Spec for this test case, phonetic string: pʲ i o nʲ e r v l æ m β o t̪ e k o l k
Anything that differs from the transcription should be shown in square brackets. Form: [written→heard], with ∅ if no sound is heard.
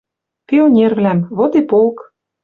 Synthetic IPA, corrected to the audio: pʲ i o nʲ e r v l æ m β o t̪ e [k→p] o l k